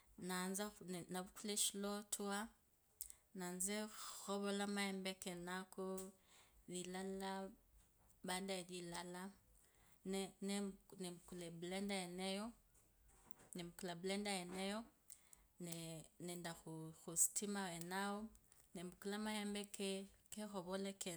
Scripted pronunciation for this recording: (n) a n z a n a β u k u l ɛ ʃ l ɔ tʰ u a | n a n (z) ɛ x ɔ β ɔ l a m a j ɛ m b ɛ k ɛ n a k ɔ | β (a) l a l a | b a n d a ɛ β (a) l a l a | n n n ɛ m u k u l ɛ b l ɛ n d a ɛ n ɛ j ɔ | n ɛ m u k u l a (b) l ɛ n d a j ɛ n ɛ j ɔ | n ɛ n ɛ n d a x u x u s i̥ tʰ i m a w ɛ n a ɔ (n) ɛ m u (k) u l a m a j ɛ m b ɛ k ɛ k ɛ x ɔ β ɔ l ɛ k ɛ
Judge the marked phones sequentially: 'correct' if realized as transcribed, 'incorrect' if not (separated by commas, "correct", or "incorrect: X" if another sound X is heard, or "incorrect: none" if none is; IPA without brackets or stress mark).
correct, correct, incorrect: i, incorrect: i, correct, correct, correct